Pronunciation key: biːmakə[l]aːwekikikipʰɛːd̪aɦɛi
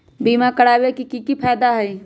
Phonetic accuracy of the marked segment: incorrect: ɽ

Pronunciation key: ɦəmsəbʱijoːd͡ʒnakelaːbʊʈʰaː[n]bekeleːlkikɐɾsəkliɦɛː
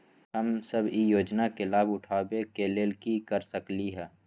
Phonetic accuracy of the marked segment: incorrect: none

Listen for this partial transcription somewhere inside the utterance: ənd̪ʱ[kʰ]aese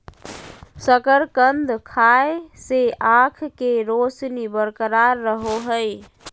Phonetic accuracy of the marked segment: correct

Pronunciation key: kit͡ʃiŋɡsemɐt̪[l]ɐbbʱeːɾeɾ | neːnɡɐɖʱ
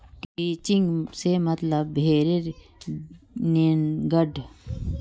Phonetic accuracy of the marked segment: correct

